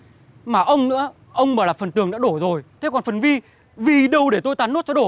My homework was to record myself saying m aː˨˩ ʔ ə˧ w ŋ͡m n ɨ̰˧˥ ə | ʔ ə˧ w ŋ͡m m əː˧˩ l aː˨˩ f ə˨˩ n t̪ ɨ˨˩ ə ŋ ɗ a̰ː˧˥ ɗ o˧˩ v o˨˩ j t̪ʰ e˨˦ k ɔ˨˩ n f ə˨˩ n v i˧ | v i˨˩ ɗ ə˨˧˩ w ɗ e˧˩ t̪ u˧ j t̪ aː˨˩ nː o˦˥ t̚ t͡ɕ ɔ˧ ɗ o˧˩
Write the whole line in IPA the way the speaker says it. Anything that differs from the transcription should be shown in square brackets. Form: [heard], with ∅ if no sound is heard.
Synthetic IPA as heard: m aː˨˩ ʔ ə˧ w ŋ͡m n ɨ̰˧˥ ə | ʔ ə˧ w ŋ͡m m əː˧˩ l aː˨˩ f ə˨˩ n t̪ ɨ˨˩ ə ŋ ɗ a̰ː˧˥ ɗ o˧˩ [z] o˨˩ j t̪ʰ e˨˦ k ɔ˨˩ n f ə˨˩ n v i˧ | v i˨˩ ɗ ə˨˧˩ w ɗ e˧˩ t̪ [o˧] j t̪ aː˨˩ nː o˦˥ t̚ t͡ɕ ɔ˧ ɗ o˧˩